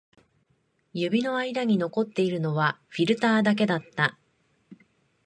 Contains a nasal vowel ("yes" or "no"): no